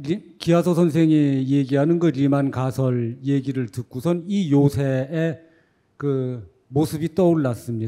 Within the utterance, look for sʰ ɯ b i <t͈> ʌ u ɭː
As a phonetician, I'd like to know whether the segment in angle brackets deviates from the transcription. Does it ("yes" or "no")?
no